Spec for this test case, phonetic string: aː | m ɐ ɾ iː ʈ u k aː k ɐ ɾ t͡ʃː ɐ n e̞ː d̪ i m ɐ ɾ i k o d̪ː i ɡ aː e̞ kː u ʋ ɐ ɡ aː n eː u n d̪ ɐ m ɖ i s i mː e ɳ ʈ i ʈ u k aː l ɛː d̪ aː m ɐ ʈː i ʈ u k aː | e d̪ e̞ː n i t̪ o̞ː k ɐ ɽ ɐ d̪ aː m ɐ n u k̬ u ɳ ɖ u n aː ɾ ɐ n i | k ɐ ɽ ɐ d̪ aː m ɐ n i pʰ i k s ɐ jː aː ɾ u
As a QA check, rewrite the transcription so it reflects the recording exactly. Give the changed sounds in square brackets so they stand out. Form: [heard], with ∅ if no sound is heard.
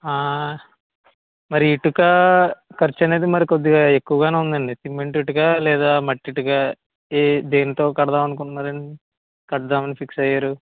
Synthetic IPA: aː | m ɐ ɾ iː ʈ u k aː k ɐ ɾ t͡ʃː ɐ n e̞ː d̪ i m ɐ ɾ i k o d̪ː i ɡ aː e̞ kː u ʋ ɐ ɡ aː n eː u n d̪ ɐ [ɳ] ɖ i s i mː e ɳ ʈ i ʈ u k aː l ɛː d̪ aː m ɐ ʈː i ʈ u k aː | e d̪ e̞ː n i t̪ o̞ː k ɐ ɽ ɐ d̪ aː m ɐ n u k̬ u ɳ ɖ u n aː ɾ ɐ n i | k ɐ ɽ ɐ d̪ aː m ɐ n i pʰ i k s ɐ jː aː ɾ u